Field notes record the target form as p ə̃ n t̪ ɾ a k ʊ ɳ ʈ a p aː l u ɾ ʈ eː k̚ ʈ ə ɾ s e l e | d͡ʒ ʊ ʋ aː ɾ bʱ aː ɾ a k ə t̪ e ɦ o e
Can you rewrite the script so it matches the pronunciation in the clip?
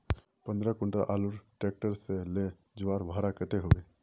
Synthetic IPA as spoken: p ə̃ n d̪ ɾ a k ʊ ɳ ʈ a ʔ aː l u ɾ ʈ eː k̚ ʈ ə ɾ s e l e | d͡ʒ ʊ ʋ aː ɾ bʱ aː ɾ a k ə t̪ e ɦ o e